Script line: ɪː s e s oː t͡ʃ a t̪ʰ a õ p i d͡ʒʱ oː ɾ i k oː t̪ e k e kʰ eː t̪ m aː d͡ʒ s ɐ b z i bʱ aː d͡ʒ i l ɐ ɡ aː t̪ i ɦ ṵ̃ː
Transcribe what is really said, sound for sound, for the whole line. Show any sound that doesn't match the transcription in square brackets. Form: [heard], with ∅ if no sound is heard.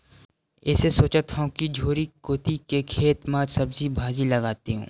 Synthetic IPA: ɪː s e s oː t͡ʃ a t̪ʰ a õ [k] i d͡ʒʱ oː ɾ i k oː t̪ [i] k e kʰ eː t̪ m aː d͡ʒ s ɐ b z i bʱ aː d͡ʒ i l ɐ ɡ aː t̪ i ɦ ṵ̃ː